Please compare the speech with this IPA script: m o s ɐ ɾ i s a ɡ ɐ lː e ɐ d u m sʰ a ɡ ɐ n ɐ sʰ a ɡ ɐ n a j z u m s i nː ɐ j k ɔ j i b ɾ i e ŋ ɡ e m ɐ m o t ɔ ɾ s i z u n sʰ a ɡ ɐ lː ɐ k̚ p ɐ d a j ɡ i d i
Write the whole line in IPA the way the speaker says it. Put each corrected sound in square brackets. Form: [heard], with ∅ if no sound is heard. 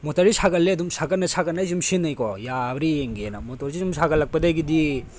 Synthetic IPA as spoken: m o [t] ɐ ɾ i s a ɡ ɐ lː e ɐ d u m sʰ a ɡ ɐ n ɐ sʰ a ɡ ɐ n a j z u m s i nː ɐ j k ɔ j [a] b ɾ i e ŋ ɡ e [n] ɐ m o t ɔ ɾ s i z u [m] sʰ a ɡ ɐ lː ɐ k̚ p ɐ d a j ɡ i d i